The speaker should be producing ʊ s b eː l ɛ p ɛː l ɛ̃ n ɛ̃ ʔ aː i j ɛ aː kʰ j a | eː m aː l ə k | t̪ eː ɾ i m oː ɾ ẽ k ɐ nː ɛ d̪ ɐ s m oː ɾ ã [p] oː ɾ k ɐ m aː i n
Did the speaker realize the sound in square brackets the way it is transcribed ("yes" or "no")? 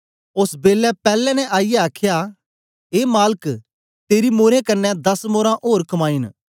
no